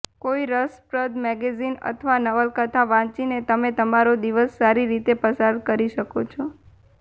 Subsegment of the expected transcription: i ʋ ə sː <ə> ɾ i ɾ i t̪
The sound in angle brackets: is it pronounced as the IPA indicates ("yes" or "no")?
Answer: no